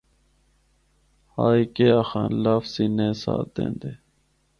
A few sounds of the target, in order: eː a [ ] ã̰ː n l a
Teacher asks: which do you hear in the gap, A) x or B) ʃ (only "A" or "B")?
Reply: A